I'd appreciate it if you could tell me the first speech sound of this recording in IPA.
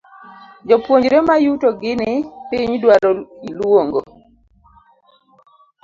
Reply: d͡ʒ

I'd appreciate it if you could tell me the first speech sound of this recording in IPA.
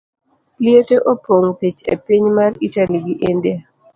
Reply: l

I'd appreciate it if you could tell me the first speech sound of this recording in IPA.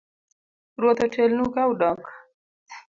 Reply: ɾ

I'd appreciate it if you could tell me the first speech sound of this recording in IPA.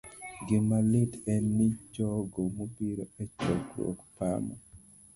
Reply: ɡ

